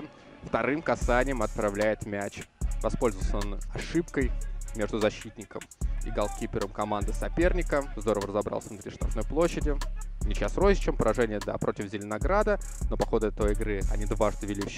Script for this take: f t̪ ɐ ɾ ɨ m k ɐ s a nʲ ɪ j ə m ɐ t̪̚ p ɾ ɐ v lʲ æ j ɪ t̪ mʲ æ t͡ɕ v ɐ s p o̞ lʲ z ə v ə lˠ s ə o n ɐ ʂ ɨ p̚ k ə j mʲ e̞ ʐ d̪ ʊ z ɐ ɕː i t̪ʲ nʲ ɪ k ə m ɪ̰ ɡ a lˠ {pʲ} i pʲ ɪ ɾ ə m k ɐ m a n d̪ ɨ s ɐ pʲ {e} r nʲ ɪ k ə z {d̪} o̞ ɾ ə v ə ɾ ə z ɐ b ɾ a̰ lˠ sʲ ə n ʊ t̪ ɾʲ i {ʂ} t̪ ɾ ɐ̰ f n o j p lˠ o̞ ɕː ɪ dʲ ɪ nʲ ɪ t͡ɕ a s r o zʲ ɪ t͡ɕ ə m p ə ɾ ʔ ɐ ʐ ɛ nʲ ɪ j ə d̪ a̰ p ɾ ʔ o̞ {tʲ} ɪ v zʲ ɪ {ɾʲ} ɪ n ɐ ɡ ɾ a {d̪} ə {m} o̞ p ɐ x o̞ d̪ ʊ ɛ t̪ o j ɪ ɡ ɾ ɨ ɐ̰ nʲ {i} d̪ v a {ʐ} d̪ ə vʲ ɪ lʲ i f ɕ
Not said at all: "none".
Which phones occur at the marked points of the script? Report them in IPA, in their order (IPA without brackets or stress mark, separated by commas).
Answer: kʲ, e, d̪, ʂ, tʲ, lʲ, d̪, n, i, ʐ